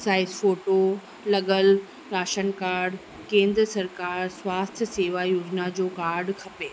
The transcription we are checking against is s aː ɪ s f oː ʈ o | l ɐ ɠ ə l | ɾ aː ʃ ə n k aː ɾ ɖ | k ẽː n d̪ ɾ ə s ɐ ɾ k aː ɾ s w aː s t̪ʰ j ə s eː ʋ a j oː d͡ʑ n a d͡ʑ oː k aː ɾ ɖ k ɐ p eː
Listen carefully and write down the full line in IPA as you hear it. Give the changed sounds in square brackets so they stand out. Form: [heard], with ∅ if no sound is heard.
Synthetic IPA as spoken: s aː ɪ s f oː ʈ o | l ɐ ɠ ə l | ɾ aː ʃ ə n k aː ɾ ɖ | k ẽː n d̪ ɾ ə s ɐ ɾ k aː ɾ s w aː s t̪ʰ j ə s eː ʋ a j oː d͡ʑ n a d͡ʑ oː k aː ɾ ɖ [kʰ] ɐ p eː